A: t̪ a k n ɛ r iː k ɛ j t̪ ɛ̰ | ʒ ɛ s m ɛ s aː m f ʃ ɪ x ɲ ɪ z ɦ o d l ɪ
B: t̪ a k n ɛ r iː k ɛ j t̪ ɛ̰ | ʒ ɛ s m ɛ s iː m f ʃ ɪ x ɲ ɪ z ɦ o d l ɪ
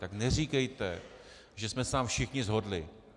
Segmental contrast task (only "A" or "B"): A